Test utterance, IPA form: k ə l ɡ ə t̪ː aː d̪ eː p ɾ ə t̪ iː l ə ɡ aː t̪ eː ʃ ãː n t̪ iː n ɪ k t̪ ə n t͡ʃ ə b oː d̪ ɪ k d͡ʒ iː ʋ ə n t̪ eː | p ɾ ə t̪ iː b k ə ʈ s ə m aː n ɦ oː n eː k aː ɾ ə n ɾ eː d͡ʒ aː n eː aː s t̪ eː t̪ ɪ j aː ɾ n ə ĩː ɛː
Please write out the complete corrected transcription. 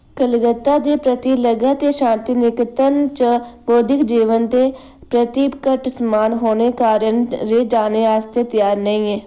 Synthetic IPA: k ə l ɡ ə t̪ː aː d̪ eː p ɾ ə t̪ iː l ə ɡ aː t̪ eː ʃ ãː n t̪ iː n ɪ k t̪ ə n t͡ʃ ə b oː d̪ ɪ k d͡ʒ iː ʋ ə n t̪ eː | p ɾ ə t̪ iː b k ə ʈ s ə m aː n ɦ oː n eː k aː ɾ ə n ɾ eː d͡ʒ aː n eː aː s t̪ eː t̪ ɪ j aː ɾ n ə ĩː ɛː